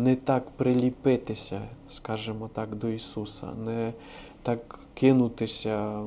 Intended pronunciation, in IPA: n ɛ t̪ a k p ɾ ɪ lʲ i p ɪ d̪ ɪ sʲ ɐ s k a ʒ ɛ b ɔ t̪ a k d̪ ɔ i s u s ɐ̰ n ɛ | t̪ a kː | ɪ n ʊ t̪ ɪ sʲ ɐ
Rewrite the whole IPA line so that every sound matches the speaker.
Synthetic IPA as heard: n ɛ t̪ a k p ɾ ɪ lʲ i p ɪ t̪ ɪ sʲ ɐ s k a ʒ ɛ m ɔ t̪ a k d̪ ɔ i s u s ɐ̰ n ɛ | t̪ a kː | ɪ n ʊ t̪ ɪ sʲ ɐ